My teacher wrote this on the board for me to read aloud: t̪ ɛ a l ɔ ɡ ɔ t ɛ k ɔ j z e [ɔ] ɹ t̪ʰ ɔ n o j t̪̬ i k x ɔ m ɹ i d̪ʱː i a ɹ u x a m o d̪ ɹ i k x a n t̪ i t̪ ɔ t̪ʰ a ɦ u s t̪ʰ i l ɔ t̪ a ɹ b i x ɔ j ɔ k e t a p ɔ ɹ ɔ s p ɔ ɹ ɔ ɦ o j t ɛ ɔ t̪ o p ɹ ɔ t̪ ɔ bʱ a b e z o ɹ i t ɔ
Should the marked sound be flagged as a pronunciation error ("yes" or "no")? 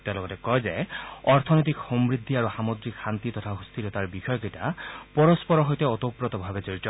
no